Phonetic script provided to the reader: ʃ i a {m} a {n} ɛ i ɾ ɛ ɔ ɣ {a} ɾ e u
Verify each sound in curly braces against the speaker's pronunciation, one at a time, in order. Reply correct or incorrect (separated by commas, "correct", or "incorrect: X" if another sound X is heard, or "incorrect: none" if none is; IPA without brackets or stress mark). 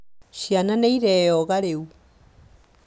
incorrect: n, correct, correct